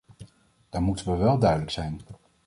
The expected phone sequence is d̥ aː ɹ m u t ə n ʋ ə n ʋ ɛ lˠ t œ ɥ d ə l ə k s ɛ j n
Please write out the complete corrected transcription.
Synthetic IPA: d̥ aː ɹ m u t ə n ʋ ə ʋ ɛ lˠ d œ ɥ d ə l ə k s ɛ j n